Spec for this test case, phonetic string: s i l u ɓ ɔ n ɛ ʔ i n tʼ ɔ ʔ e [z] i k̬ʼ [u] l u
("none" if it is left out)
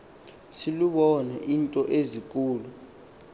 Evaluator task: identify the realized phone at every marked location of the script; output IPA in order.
z, uː

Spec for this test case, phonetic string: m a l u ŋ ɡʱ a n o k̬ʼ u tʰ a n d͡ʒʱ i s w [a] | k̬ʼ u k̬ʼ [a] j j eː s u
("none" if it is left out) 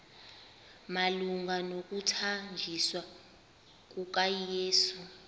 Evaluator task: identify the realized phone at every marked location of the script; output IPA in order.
a, a

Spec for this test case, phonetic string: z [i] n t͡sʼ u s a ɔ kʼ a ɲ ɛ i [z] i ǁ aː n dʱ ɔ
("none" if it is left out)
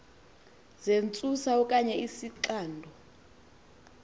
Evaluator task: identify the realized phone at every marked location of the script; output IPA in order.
e, s

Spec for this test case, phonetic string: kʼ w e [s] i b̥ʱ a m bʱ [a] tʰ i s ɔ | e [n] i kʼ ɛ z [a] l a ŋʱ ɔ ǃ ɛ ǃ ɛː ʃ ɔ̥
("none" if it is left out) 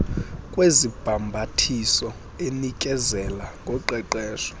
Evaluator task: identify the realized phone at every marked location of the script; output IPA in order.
z, a, n, ɛ

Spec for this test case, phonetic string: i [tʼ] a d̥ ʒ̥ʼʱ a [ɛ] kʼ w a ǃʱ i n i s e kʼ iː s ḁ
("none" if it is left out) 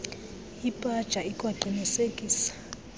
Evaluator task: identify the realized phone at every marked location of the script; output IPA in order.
pʼ, i

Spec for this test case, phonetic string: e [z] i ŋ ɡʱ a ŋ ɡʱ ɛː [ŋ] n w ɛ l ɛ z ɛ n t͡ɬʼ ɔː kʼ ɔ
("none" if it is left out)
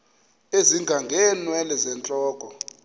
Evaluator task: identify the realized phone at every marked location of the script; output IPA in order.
z, none

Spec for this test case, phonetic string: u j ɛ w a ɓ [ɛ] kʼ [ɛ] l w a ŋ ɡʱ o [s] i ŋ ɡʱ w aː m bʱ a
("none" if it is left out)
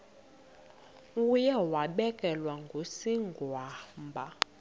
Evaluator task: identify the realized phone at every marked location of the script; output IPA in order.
ɛ, ɛ, s

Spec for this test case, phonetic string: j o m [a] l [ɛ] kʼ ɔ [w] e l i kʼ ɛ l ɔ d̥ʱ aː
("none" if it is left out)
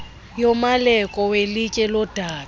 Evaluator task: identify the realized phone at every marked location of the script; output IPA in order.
a, ɛ, w

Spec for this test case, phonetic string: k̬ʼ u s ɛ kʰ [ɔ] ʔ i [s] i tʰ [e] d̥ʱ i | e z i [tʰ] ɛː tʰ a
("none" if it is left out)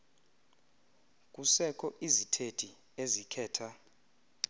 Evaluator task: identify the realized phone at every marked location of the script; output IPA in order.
ɔ, z, e, kʰ

